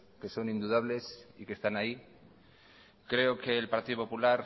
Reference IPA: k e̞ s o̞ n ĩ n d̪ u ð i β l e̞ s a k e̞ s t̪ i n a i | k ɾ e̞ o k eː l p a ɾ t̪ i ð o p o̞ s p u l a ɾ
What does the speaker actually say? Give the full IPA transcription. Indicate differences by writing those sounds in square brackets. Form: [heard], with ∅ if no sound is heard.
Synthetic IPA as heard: k e̞ s o̞ n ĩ n d̪ u ð [a] β l e̞ s [i] k e̞ s t̪ [a] n a i | k ɾ e̞ o k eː l p a ɾ t̪ i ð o p o̞ [∅] p u l a ɾ